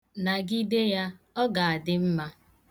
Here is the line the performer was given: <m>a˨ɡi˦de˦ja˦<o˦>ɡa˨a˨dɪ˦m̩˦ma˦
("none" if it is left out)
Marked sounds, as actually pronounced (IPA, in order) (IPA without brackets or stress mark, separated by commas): n, ɔ˦